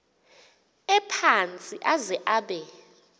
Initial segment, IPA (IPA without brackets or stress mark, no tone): ɛ